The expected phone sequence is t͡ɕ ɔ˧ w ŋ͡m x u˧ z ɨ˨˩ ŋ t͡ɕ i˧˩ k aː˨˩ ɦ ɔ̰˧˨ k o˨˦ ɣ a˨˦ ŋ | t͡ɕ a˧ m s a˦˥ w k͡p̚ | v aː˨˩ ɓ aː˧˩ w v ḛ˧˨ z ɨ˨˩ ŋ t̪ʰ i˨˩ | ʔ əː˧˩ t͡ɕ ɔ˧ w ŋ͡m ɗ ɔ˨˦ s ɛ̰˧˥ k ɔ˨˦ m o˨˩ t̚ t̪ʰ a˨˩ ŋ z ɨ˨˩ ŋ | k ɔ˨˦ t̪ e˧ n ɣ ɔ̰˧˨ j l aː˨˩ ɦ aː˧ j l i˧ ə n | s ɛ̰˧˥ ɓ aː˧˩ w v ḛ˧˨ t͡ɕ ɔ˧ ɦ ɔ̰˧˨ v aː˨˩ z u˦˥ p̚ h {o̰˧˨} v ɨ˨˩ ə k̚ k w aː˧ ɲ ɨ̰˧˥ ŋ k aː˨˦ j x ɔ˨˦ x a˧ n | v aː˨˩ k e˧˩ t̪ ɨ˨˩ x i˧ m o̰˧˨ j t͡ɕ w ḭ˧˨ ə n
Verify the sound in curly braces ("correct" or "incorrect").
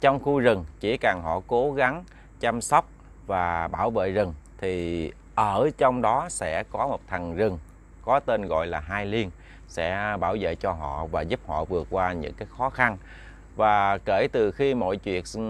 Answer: incorrect